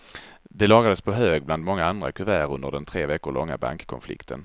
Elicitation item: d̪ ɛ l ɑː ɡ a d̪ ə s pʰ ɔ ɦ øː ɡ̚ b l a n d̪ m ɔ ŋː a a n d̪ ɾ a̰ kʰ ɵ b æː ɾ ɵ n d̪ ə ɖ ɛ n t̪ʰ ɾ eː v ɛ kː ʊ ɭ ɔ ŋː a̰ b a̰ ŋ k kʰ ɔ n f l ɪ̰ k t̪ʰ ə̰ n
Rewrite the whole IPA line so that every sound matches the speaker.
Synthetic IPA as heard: d̪ ɛ l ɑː ɡ a d̪ ə s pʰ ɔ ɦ øː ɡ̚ b l a n d̪ m ɔ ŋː a a n d̪ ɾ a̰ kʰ ɵ v æː ɾ ɵ n d̪ ə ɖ ɛ n t̪ʰ ɾ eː v ɛ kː ʊ ɭ ɔ ŋː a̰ b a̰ ŋ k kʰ ɔ n f l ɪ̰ k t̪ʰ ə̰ n